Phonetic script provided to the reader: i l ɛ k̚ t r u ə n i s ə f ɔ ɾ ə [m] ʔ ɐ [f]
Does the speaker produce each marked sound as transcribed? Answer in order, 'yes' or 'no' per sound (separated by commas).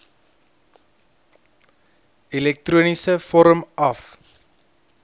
yes, yes